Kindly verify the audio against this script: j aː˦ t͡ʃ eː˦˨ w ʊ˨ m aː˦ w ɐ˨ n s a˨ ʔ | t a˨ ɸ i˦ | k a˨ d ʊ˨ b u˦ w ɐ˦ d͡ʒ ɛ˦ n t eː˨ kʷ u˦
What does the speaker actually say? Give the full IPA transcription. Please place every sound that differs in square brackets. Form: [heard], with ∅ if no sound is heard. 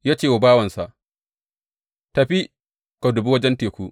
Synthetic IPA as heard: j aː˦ t͡ʃ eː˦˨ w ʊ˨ [b] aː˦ w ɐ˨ n s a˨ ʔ | t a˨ ɸ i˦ | k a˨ d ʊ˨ b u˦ w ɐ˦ d͡ʒ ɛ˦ n t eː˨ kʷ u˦